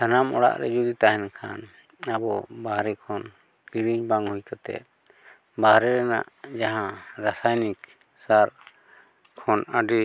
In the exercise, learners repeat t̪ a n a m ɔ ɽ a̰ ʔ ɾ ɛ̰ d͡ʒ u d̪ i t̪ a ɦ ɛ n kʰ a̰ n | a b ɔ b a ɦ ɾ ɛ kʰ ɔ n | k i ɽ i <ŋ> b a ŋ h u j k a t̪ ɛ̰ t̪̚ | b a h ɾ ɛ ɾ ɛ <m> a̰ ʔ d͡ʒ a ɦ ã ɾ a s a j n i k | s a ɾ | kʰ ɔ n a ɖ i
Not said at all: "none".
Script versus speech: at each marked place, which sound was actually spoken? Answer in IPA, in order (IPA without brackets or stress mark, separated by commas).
ɲ, n